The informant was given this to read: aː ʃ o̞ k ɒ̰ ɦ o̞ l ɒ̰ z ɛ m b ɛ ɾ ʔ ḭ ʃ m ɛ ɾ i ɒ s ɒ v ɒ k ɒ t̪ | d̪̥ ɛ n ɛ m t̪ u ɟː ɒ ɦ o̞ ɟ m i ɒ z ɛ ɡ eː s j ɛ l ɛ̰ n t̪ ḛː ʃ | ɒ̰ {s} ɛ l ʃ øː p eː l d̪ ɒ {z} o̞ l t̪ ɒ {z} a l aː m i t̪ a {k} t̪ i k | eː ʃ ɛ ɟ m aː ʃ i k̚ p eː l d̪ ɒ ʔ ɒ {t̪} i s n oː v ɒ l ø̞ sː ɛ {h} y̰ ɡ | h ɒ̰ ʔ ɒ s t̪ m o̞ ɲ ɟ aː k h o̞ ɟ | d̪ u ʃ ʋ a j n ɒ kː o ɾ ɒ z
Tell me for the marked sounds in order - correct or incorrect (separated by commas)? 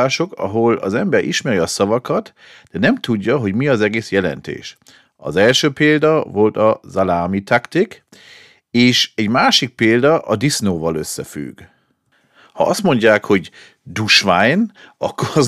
incorrect, incorrect, correct, correct, incorrect, incorrect